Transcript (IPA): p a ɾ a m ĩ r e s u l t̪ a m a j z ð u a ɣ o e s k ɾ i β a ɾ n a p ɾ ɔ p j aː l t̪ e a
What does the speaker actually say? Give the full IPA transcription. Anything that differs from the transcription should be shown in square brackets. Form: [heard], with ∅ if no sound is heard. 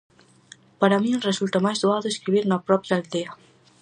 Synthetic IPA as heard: p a ɾ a m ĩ r e s u l t̪ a m a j z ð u a [ð] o e s k ɾ i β [i] ɾ n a p ɾ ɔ p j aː l [d̪] e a

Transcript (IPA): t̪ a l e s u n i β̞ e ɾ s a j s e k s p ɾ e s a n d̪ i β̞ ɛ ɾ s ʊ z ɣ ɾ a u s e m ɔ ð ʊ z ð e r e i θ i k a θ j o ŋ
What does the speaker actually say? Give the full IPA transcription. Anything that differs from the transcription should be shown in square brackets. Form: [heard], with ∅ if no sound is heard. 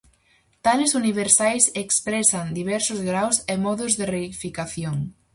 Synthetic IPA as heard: t̪ a l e s u n i β̞ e ɾ s a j s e k s p ɾ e s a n d̪ i β̞ ɛ ɾ s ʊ z ɣ ɾ a [w] s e m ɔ ð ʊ z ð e r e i [f] i k a θ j o ŋ

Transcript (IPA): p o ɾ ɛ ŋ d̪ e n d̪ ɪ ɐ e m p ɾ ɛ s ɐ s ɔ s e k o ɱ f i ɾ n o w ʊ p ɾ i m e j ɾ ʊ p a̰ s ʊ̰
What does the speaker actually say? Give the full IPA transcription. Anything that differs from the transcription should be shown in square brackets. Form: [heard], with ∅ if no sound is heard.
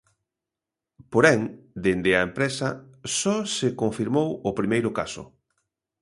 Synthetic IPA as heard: p o ɾ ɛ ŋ d̪ e n d̪ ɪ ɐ e m p ɾ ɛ s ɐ s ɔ s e k o ɱ f i ɾ [m] o w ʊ p ɾ i m e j ɾ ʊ [k] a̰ s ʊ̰

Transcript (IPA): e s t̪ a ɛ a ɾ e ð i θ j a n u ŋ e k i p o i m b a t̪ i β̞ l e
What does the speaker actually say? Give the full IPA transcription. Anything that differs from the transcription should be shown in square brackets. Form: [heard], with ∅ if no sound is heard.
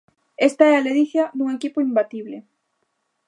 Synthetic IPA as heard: e s t̪ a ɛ a [l] e ð i θ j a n u ŋ e k i p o i m b a t̪ i β̞ l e

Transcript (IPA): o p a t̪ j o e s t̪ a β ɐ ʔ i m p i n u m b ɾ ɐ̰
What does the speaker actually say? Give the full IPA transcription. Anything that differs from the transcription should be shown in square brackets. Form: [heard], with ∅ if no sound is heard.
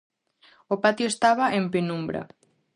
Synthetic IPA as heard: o p a t̪ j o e s t̪ a β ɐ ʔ [e] m p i n u m b ɾ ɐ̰

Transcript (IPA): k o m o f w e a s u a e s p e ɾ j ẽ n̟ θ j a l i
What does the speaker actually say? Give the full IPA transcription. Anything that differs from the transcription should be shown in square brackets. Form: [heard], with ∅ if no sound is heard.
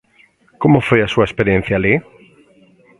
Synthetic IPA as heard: k o m o f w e a s u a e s p e ɾ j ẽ n̟ θ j a l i

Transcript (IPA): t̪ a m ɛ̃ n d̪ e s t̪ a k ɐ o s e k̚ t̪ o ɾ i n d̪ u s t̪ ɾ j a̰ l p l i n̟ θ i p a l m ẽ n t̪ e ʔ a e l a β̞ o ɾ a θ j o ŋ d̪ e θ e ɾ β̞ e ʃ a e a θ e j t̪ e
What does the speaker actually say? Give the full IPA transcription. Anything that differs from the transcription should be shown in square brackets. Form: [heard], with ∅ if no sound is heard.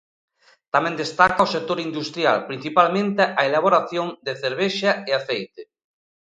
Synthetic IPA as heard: t̪ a m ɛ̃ n d̪ e s t̪ a k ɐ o s e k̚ t̪ o ɾ i n d̪ u s t̪ ɾ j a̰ l p [ɾ] i n̟ θ i p a l m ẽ n t̪ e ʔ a e l a β̞ o ɾ a θ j o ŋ d̪ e θ e ɾ β̞ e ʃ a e a θ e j t̪ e

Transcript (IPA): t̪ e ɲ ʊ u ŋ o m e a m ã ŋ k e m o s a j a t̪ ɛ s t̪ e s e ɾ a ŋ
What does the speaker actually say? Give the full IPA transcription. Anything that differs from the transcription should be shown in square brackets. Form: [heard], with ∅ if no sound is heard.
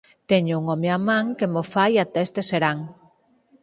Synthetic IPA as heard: t̪ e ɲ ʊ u ŋ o m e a m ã ŋ k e m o [f] a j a t̪ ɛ s t̪ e s e ɾ a ŋ

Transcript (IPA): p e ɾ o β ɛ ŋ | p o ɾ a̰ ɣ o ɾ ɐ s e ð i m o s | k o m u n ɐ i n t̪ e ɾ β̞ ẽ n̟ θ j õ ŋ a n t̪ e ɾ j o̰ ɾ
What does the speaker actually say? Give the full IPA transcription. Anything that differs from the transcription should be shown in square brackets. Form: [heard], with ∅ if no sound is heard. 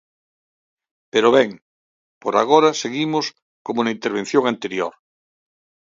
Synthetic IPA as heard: p e ɾ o β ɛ ŋ | p o ɾ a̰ ɣ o ɾ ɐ s e [ɣ] i m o s | k o m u n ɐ i n t̪ e ɾ β̞ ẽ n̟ θ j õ ŋ a n t̪ e ɾ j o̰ ɾ

